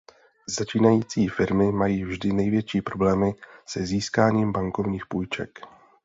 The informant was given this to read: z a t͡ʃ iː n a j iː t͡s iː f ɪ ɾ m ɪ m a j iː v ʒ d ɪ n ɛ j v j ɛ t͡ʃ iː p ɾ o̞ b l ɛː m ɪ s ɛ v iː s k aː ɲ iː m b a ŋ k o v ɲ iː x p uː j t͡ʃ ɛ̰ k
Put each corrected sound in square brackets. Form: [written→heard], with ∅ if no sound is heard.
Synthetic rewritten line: z a t͡ʃ iː n a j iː t͡s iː f ɪ ɾ m ɪ m a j iː v ʒ d ɪ n ɛ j v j ɛ t͡ʃ iː p ɾ o̞ b l ɛː m ɪ s ɛ [v→z] iː s k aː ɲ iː m b a ŋ k o v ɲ iː x p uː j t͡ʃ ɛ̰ k